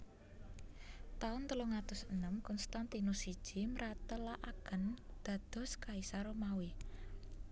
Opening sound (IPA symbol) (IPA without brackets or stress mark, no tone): t̪